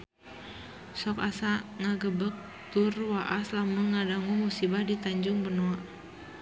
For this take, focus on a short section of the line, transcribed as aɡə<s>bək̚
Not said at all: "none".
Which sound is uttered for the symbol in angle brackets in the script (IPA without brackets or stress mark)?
none